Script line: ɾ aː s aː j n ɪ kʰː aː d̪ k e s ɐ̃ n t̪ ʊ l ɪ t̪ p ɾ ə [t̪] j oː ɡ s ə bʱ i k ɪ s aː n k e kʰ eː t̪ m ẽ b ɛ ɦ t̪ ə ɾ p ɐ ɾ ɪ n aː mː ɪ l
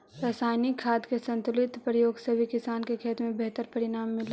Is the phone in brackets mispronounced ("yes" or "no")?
yes